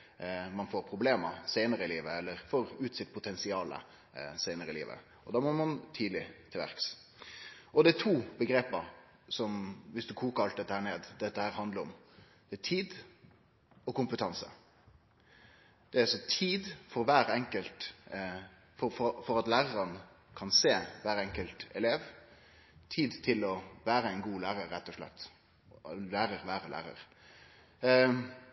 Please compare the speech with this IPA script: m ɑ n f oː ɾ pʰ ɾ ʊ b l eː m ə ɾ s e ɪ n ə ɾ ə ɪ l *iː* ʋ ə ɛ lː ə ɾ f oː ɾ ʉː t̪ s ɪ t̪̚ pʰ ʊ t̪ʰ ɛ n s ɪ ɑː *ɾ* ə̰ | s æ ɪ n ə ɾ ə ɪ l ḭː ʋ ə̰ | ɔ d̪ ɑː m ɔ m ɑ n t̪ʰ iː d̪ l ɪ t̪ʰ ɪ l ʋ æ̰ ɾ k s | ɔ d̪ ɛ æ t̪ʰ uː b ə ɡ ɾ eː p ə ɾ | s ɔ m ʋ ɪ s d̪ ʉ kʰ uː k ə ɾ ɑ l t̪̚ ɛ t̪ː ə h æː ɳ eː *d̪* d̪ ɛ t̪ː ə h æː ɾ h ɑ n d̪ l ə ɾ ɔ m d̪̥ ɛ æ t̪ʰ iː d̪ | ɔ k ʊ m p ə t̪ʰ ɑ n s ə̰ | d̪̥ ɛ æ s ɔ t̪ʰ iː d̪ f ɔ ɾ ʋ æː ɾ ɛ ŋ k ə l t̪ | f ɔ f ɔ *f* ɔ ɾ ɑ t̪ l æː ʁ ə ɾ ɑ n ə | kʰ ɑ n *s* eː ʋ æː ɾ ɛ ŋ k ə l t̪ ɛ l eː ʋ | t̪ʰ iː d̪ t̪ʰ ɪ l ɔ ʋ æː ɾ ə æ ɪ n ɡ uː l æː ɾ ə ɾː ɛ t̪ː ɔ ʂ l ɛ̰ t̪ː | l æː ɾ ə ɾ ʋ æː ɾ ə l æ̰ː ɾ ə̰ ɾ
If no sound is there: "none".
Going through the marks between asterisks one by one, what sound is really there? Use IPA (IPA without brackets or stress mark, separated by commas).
iː, l, d̪, f, s